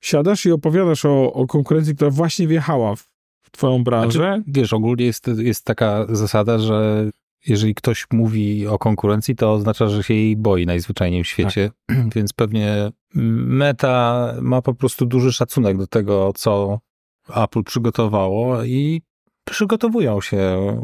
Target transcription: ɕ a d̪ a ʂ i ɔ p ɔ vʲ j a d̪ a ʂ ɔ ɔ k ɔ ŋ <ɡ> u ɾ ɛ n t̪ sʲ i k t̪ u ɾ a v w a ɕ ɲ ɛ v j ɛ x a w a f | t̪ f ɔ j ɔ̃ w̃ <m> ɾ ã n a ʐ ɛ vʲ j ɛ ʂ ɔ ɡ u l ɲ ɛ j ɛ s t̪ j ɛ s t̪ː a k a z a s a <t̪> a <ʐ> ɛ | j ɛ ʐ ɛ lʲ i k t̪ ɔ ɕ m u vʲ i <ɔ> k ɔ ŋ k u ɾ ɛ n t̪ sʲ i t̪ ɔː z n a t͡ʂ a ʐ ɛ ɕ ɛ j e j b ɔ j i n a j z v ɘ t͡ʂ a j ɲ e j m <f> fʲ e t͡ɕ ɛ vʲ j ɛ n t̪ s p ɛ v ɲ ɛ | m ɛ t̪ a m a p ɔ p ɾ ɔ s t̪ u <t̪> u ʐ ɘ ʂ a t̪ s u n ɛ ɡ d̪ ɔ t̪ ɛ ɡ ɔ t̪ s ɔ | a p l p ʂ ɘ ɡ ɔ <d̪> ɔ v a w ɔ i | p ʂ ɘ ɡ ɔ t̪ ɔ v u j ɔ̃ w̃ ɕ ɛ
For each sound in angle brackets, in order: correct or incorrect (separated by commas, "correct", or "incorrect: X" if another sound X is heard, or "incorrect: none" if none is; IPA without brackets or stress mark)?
incorrect: k, incorrect: b, incorrect: d̪, correct, correct, incorrect: ɕ, incorrect: d̪, incorrect: t̪